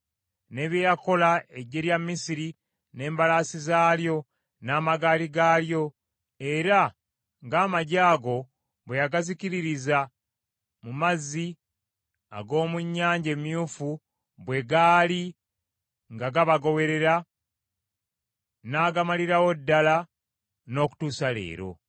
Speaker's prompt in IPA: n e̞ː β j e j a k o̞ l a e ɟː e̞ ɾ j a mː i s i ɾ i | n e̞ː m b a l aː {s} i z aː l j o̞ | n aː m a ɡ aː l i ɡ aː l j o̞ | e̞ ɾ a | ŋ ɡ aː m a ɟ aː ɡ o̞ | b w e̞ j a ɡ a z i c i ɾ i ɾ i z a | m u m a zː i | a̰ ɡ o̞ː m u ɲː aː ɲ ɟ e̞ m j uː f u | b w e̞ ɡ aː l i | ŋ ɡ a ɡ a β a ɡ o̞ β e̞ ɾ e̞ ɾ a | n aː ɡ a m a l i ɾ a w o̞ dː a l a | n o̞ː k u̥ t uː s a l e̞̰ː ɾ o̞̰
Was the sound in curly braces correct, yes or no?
yes